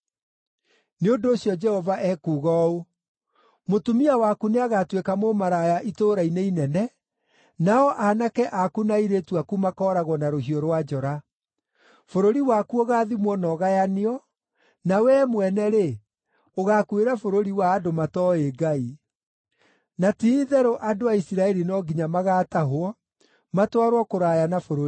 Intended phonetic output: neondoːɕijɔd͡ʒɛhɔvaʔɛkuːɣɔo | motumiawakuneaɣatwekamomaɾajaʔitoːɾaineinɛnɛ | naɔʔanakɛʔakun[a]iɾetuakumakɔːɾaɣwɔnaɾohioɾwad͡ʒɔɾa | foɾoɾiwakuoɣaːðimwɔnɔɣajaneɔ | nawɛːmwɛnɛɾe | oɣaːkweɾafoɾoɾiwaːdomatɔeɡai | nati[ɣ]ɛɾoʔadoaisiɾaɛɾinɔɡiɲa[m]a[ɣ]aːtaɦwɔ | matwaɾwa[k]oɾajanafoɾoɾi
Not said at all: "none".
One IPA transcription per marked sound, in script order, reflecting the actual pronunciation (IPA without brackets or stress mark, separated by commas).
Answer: a, ð, m, ɣ, k